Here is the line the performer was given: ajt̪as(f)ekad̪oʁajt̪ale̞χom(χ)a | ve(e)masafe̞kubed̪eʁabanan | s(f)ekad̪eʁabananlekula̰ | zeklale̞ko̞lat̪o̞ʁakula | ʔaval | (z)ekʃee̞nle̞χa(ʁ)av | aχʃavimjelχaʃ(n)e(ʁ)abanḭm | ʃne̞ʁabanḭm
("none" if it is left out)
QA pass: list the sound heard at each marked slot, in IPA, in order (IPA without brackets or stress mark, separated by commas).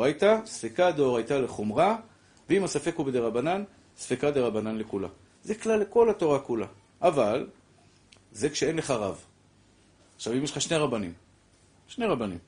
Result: f, ʁ, i, f, z, ʁ, n, ʁ